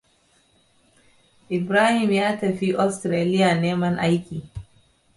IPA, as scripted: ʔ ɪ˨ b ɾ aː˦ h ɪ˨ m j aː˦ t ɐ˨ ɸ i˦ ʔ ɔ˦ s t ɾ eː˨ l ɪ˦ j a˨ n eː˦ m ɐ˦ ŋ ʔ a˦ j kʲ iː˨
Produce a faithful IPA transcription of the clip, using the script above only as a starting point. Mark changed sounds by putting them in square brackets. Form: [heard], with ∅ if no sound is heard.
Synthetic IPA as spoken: ʔ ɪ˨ b ɾ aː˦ h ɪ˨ m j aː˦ t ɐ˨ ɸ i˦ ʔ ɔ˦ s t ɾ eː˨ l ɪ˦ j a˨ n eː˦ m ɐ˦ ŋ ʔ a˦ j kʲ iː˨